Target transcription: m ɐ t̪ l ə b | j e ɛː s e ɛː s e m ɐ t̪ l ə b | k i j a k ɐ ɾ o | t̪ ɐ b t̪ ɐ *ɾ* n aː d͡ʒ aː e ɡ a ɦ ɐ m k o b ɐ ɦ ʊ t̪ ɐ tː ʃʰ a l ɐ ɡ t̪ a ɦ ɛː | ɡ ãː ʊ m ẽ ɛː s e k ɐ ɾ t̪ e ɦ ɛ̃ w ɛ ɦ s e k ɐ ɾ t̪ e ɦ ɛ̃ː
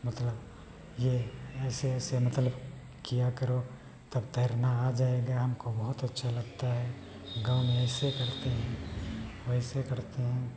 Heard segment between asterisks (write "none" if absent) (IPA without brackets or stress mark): ɾ